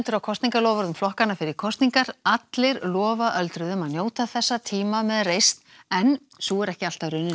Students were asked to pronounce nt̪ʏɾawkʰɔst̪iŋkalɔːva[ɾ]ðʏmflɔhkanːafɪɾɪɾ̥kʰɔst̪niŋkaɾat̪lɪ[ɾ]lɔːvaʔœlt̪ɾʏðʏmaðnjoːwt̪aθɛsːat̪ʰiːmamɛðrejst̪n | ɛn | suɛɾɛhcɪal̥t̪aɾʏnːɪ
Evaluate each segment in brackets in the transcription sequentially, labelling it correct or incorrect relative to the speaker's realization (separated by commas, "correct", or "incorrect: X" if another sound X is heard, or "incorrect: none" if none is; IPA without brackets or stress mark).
correct, correct